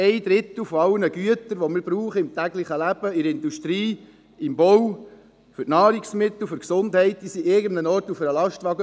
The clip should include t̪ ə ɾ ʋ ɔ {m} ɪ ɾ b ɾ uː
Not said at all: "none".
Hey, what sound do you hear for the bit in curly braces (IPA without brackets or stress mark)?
m